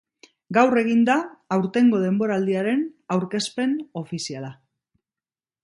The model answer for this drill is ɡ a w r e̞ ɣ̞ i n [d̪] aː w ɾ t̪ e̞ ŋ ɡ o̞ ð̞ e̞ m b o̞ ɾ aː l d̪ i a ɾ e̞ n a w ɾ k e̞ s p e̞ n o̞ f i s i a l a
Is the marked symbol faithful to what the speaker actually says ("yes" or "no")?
yes